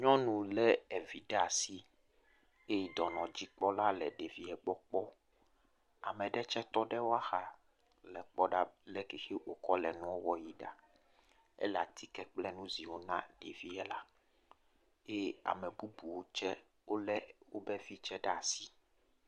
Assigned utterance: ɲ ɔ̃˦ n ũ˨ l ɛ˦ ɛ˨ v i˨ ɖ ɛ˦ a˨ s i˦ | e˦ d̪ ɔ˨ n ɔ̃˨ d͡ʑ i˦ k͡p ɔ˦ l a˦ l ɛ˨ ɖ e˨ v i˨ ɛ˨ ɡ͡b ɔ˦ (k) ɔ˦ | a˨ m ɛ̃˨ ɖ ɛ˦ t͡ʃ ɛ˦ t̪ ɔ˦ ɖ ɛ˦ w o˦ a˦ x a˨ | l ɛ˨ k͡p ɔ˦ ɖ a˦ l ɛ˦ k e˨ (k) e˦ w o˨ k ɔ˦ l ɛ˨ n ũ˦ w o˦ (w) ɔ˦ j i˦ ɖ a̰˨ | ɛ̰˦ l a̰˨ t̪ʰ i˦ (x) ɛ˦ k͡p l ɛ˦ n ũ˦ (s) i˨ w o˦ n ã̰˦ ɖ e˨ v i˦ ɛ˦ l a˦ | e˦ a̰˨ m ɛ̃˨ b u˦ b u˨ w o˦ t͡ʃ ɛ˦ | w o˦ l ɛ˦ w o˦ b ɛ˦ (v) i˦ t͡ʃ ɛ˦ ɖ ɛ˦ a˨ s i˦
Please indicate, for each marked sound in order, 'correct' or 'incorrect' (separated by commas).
incorrect, incorrect, correct, incorrect, incorrect, correct